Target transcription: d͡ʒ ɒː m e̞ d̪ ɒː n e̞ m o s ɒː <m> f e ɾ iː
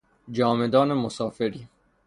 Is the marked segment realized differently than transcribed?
yes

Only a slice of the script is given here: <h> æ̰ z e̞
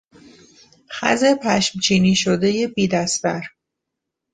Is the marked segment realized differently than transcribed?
yes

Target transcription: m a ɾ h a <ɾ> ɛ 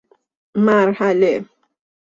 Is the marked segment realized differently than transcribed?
yes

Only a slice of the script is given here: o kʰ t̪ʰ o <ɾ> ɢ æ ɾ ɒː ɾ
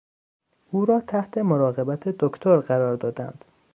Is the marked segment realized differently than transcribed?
no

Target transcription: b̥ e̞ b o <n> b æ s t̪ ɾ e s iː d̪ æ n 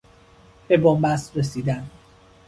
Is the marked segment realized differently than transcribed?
yes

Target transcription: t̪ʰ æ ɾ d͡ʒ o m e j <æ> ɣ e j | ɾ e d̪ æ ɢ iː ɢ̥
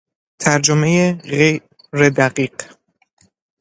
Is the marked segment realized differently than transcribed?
yes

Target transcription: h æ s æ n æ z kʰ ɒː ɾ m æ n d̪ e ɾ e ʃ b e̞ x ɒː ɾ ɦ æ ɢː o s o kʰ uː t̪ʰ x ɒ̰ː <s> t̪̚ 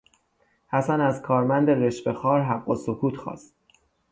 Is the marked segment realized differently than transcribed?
no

